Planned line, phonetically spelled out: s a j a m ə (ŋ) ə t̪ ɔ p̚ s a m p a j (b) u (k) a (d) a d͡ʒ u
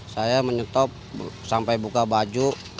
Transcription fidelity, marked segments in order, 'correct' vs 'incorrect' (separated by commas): incorrect, correct, correct, incorrect